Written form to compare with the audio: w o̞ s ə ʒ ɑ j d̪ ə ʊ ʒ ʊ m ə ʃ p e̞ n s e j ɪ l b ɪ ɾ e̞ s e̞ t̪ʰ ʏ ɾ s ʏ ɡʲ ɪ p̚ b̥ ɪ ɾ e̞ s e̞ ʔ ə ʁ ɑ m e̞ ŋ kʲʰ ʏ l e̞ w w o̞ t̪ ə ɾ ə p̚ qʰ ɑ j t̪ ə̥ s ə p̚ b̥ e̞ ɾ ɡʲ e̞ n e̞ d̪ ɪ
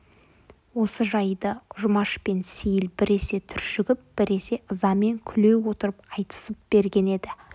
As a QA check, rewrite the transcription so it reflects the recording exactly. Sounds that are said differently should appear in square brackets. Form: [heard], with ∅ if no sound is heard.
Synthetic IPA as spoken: w o̞ s ə ʒ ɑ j d̪ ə ʊ ʒ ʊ m [ɑ] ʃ p e̞ n s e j ɪ l b ɪ ɾ e̞ s e̞ t̪ʰ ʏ ɾ [ʃ] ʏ ɡʲ ɪ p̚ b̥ ɪ ɾ e̞ s e̞ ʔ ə [z] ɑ m e̞ ŋ kʲʰ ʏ l e̞ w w o̞ t̪ ə ɾ ə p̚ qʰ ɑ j t̪ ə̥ s ə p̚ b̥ e̞ ɾ ɡʲ e̞ n e̞ d̪ ɪ